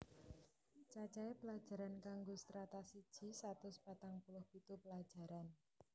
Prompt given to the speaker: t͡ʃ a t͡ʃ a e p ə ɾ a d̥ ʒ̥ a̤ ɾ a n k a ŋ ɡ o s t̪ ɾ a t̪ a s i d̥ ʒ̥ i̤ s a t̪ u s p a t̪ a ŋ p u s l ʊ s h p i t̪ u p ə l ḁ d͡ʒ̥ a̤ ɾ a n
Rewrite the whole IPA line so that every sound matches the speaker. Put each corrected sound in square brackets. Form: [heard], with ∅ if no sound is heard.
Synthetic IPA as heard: t͡ʃ a t͡ʃ a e p ə [l] a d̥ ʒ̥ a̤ ɾ a n k a ŋ ɡ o s t̪ ɾ a t̪ a s i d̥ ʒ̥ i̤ s a t̪ [ʊ] s p a t̪ a ŋ p u [∅] l ʊ [∅] h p i t̪ u p ə l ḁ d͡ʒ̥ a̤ ɾ a n

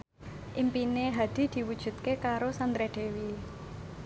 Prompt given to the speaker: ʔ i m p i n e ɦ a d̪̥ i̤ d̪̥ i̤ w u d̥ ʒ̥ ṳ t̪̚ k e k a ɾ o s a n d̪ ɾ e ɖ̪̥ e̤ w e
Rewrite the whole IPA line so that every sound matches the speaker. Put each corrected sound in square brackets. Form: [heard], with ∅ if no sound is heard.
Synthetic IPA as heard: ʔ i m p i n e ɦ a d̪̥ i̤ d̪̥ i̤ w u d̥ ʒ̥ ṳ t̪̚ k e k a ɾ o s a n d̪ ɾ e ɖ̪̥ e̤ w [i]

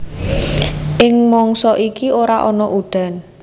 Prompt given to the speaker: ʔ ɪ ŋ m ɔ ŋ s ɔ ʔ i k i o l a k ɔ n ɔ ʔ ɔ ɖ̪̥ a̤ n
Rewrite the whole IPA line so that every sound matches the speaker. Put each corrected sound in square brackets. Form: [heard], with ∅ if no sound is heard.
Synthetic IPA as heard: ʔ ɪ ŋ m ɔ ŋ s ɔ ʔ i k i o [ɾ] a [ʔ] ɔ n ɔ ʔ [u] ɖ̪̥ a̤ n

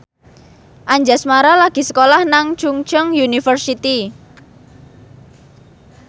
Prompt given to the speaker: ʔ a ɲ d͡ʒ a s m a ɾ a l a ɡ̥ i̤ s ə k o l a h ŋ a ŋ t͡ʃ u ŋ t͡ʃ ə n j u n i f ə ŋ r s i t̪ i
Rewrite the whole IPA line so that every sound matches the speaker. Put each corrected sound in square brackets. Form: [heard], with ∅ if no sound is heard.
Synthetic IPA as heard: ʔ a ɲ d͡ʒ a s m a ɾ a l a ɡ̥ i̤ s ə k o l a h [n] a ŋ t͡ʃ u ŋ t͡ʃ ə [ŋ] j u n i f ə [∅] r s i t̪ i

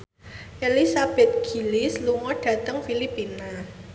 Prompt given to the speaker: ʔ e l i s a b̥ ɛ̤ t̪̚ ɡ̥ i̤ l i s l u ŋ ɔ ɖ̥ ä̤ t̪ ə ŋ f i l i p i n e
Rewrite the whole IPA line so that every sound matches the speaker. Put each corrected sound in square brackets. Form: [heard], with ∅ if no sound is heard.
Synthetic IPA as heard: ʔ e l i s a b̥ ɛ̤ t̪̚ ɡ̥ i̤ l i s l u ŋ ɔ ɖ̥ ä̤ t̪ ə ŋ f i l i p i n [a]

